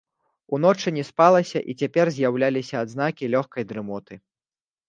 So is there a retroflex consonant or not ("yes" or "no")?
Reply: yes